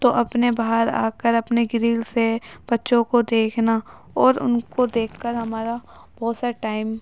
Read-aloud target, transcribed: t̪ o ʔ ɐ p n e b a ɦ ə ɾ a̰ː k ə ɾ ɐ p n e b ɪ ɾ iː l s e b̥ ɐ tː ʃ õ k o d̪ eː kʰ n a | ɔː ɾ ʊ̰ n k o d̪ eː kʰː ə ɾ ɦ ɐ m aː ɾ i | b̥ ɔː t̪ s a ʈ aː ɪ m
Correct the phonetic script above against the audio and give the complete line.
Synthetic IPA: t̪ o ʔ ɐ p n e b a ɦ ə ɾ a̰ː k ə ɾ ɐ p n e ɡ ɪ ɾ iː l s e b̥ ɐ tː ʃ õ k o d̪ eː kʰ n a | ɔː ɾ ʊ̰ n k o d̪ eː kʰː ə ɾ ɦ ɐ m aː ɾ a | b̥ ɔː t̪ s a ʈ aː ɪ m